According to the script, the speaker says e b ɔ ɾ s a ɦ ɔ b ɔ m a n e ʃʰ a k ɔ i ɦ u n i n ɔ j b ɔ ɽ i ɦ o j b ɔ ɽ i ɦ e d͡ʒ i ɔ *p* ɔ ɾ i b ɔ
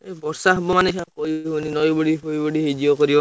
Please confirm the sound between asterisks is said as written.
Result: no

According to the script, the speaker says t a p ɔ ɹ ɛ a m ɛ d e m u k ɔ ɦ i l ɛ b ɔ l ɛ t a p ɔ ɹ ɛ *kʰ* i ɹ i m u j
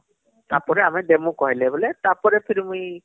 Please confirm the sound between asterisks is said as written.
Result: no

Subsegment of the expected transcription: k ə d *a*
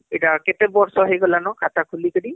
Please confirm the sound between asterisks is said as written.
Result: no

